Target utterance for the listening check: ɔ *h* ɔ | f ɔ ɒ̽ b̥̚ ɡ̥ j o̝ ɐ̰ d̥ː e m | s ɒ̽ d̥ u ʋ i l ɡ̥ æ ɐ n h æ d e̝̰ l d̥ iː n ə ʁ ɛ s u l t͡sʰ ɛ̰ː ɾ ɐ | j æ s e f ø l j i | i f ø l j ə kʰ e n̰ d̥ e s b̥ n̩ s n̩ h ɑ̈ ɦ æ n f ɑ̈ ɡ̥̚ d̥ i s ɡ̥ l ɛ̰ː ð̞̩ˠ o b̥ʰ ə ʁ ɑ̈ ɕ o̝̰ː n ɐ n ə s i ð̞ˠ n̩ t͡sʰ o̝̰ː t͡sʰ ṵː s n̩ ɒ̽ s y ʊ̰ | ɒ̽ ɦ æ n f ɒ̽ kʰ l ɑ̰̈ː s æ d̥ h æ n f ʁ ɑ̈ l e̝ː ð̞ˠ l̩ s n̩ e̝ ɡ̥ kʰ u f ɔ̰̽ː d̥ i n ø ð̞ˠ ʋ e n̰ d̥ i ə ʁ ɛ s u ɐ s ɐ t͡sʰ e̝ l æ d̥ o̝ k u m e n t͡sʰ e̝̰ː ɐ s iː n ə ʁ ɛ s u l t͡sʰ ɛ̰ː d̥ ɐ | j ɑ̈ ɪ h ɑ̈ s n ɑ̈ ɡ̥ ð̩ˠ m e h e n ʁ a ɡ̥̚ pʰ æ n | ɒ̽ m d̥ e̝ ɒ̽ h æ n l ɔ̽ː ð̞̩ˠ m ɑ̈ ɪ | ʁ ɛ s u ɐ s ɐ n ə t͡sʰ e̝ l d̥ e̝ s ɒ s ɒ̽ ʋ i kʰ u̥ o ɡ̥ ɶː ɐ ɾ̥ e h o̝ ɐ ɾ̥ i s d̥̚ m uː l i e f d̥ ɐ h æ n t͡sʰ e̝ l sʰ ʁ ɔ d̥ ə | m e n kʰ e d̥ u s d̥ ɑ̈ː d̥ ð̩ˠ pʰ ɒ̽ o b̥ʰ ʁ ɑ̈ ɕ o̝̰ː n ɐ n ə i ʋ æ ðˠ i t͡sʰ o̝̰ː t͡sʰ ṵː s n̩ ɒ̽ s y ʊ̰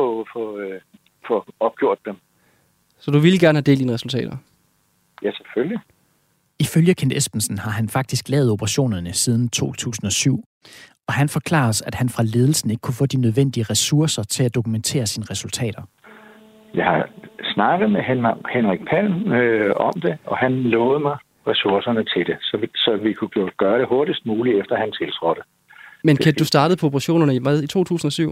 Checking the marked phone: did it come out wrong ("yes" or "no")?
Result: yes